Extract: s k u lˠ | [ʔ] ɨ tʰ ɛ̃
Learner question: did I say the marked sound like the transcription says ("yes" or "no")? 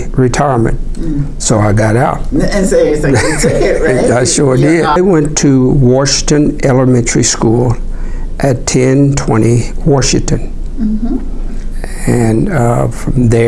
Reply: yes